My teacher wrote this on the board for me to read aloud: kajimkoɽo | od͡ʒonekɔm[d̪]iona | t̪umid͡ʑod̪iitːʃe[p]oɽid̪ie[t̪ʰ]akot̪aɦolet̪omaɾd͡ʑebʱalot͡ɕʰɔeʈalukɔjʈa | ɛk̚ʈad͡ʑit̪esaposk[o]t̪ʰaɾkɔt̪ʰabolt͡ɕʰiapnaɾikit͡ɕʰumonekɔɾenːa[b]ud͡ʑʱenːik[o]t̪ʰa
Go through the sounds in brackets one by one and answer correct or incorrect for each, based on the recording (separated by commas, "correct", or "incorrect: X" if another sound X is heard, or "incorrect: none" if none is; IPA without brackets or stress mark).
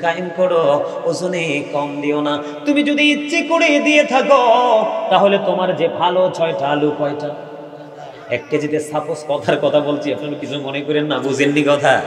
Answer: correct, incorrect: k, correct, incorrect: ɔ, correct, incorrect: ɔ